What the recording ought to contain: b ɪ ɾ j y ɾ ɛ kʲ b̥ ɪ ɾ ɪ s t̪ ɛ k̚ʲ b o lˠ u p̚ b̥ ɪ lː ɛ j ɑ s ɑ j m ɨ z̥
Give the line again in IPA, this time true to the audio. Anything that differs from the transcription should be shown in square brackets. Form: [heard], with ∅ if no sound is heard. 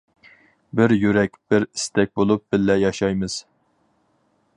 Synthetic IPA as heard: b ɪ ɾ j y ɾ ɛ kʲ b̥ ɪ ɾ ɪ s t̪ ɛ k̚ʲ b o lˠ u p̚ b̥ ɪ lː ɛ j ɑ [ʃ] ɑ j m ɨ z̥